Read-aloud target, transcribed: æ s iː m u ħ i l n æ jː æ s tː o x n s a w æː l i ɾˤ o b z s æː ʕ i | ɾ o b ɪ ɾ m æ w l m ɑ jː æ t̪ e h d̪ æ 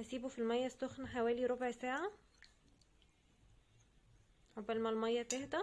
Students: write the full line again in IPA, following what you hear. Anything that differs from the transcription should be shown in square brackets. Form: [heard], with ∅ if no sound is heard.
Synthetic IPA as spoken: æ s iː [b] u [f] i l [m] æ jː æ s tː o x n [ħ] a w æː l i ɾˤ o b [ʕ] s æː ʕ [a] | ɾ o b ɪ [l] m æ [∅] l m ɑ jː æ t̪ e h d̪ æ